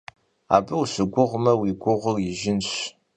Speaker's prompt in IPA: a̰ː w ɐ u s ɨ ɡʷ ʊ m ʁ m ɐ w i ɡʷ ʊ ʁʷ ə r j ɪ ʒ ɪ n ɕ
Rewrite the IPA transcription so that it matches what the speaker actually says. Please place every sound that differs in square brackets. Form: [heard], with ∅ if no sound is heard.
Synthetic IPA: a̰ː [b] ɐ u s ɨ ɡʷ ʊ [∅] ʁ m ɐ w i ɡʷ ʊ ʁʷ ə r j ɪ ʒ ɪ n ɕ